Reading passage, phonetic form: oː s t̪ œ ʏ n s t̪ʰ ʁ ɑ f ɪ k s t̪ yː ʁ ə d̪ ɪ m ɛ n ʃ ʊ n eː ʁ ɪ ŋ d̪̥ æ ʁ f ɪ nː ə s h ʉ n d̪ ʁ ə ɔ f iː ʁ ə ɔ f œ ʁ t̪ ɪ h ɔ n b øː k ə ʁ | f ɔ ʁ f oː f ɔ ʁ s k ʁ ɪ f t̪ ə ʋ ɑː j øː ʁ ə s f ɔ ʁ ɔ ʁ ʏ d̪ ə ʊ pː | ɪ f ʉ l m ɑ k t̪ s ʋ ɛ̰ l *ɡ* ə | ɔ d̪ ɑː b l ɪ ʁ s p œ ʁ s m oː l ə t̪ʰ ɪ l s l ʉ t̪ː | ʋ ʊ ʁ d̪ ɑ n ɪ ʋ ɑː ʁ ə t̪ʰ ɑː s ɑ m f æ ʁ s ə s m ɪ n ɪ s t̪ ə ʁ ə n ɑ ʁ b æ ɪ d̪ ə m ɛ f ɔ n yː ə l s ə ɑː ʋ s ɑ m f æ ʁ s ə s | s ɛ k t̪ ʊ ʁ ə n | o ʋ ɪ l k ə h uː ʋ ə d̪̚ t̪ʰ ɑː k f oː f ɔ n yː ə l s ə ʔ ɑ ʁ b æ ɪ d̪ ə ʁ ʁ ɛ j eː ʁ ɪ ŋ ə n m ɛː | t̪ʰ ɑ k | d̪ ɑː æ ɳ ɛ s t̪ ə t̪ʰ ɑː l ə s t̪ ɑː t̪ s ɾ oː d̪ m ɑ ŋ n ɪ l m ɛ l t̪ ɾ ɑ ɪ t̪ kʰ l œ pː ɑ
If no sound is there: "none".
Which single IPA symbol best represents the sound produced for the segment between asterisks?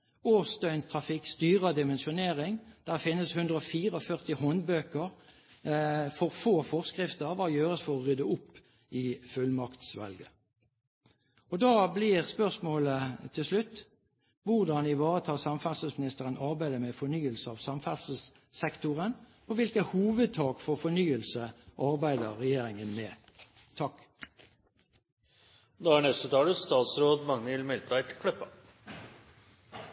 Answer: ɡ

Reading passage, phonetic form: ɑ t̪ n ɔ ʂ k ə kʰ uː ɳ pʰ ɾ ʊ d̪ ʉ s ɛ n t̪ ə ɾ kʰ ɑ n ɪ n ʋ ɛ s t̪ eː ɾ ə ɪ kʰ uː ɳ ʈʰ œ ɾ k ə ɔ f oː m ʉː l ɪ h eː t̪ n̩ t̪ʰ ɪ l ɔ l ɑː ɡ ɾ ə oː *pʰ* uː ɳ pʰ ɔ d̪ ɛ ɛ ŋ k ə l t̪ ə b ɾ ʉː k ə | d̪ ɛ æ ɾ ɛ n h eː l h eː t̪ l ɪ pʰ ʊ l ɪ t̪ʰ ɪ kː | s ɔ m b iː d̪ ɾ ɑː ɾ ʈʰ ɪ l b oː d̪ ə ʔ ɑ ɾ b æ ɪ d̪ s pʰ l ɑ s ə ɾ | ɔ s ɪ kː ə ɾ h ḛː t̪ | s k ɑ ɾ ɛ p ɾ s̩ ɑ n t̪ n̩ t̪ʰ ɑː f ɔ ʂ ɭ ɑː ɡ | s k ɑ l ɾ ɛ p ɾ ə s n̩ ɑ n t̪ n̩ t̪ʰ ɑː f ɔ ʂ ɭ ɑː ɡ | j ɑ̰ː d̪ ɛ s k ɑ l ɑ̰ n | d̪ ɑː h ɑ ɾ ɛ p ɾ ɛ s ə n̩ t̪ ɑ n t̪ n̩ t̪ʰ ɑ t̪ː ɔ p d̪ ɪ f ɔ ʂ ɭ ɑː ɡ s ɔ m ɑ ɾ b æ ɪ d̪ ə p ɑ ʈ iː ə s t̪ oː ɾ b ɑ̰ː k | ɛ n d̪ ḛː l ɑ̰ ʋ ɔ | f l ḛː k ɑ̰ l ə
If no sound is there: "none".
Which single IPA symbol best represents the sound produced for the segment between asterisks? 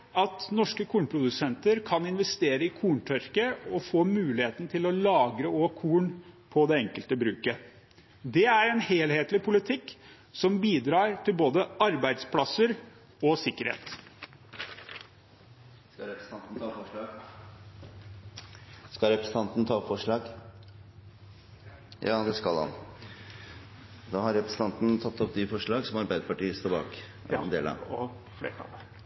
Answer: kʰ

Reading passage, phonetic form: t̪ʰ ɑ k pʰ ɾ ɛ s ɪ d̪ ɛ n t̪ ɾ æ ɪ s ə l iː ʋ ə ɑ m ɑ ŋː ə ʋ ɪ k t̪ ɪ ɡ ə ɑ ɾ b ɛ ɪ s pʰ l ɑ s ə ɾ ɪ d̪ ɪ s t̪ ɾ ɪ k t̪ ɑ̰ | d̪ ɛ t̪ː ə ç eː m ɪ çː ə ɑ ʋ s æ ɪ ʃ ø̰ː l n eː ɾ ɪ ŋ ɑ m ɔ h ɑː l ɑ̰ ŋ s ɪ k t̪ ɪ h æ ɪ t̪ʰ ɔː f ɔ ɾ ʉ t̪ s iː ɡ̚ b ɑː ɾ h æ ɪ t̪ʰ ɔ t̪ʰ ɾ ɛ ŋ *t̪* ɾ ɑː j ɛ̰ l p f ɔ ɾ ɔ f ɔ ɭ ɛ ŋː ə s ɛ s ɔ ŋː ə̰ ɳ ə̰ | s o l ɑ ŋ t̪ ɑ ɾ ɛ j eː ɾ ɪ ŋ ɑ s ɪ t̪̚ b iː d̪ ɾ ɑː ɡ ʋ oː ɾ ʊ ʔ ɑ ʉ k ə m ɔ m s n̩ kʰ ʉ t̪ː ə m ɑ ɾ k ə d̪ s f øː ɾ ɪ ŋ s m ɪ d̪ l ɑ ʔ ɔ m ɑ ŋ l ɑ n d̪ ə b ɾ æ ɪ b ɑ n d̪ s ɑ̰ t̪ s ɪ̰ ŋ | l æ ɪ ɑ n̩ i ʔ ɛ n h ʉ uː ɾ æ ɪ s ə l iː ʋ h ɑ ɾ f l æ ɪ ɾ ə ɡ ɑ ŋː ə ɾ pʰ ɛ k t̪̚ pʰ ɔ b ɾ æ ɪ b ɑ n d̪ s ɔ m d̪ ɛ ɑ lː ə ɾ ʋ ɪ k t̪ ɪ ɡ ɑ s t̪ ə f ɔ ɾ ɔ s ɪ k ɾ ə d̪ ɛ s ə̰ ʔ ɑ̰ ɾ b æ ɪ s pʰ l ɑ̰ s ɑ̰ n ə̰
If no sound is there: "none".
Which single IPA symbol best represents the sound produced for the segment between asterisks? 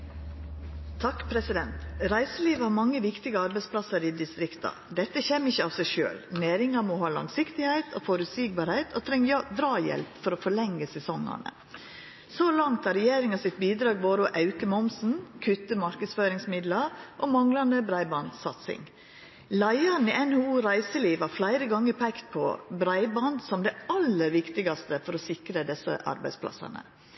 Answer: d̪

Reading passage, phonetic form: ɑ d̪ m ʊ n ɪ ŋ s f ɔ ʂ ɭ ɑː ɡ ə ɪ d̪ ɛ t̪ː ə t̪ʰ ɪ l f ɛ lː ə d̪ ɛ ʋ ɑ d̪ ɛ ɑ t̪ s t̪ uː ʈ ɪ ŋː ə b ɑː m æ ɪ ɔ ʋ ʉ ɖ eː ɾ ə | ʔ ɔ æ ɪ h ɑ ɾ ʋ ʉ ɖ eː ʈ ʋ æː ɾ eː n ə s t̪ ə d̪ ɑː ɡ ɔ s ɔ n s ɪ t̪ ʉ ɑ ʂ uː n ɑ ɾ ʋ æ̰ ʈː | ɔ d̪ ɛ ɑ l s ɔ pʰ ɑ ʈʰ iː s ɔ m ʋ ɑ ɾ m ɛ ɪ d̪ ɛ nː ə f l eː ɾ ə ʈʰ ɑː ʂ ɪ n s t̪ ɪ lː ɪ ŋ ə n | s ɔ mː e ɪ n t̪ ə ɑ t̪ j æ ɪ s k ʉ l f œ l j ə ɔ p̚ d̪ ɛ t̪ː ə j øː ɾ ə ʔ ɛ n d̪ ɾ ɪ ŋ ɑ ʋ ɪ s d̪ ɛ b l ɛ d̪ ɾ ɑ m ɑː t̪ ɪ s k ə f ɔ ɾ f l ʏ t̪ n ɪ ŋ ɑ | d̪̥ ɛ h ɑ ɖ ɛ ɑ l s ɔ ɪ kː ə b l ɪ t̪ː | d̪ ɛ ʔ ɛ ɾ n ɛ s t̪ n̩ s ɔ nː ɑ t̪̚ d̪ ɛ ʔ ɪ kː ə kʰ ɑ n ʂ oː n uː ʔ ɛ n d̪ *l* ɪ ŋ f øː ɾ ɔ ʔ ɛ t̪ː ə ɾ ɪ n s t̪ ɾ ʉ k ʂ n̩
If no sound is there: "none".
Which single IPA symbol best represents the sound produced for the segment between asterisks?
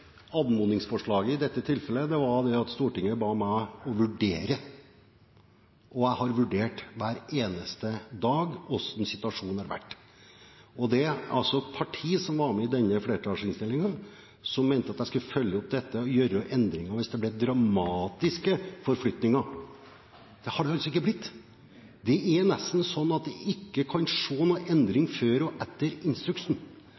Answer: ɾ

